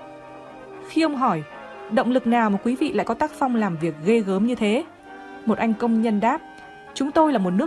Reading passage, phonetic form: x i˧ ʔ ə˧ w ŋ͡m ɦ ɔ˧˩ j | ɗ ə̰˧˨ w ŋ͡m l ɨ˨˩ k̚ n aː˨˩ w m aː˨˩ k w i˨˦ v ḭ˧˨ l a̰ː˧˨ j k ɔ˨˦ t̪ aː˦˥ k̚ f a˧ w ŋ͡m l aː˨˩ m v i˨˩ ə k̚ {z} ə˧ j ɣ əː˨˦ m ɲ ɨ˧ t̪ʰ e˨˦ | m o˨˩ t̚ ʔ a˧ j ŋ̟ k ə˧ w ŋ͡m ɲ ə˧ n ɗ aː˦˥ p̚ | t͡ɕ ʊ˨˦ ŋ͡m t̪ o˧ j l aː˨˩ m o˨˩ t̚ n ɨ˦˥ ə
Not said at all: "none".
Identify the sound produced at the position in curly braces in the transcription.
ɣ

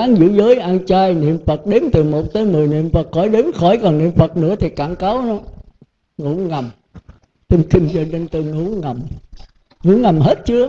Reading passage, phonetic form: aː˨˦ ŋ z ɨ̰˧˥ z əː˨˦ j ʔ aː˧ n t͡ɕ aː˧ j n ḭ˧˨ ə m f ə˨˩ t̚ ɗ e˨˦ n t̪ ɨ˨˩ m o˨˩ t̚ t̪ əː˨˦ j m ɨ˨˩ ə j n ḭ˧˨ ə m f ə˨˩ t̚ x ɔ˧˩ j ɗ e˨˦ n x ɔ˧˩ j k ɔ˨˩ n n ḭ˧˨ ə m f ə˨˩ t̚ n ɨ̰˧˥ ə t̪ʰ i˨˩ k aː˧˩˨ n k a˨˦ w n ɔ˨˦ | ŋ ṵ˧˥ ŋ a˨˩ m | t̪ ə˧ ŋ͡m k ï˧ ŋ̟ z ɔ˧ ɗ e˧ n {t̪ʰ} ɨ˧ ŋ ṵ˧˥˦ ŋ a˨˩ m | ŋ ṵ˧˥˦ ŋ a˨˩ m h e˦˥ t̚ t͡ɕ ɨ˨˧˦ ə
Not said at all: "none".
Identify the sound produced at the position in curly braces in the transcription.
t̪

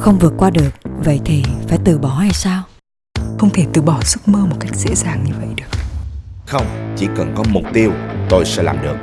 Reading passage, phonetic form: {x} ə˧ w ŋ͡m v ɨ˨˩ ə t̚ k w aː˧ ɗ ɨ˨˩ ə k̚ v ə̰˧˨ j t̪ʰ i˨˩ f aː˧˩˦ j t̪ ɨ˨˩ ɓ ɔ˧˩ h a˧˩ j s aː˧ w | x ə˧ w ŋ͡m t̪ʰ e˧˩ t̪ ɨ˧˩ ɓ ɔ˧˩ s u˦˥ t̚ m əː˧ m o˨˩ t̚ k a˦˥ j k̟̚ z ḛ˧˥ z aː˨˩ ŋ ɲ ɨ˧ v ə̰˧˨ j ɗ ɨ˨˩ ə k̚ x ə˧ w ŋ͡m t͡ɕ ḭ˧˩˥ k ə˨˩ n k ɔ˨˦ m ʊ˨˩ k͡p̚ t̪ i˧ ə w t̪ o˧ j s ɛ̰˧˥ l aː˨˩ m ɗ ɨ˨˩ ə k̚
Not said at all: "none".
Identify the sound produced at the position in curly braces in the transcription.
x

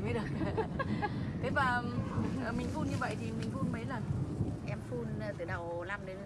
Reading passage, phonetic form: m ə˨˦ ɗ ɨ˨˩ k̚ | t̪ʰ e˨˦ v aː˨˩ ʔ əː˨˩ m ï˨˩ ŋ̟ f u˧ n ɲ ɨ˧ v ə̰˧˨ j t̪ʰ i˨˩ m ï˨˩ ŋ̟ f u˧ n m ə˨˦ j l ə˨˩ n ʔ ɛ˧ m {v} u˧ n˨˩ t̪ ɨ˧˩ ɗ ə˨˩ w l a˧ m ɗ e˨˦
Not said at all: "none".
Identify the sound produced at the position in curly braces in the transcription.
f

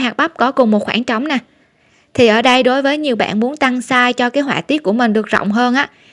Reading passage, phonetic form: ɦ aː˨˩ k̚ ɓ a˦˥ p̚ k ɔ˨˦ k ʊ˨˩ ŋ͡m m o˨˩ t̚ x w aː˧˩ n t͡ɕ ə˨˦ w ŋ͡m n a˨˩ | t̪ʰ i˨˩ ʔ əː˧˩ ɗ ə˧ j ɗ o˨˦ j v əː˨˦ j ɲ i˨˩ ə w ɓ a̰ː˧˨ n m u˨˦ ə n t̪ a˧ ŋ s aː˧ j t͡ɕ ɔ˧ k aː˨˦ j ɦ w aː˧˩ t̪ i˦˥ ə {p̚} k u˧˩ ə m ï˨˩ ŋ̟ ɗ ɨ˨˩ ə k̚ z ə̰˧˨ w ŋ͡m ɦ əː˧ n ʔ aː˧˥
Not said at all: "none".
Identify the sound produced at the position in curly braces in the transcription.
t̚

